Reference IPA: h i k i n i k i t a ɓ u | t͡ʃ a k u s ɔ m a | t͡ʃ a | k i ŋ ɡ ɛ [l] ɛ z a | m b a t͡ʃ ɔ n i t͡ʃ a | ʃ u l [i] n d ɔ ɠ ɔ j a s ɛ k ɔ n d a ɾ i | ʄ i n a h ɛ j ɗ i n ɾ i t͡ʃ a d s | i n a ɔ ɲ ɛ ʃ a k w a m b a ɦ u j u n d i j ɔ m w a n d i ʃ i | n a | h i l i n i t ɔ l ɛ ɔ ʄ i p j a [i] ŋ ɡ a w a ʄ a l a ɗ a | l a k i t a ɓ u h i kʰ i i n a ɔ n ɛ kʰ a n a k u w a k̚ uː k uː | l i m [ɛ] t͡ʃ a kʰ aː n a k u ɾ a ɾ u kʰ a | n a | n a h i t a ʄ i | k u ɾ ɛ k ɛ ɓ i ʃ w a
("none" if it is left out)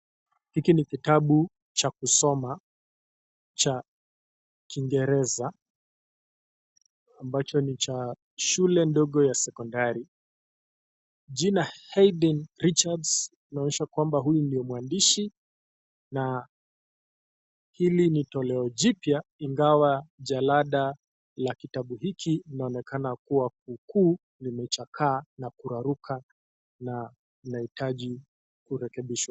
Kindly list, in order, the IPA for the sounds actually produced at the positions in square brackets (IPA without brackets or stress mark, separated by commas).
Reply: ɾ, ɛ, i, ɛ